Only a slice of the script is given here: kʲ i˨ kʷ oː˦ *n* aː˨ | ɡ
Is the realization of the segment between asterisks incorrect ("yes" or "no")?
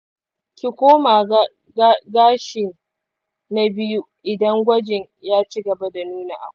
yes